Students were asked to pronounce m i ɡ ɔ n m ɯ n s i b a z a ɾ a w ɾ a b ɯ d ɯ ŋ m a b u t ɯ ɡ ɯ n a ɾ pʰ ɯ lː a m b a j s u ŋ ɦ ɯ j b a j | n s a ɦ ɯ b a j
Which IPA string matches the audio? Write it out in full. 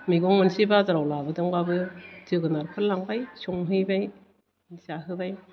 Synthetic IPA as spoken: m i ɡ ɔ ŋ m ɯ n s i b a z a ɾ a w l a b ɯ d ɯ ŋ b a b ɯ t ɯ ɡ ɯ n a ɾ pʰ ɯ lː a ŋ b a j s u ŋ ɦ ɯ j b a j | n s a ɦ ɯ b a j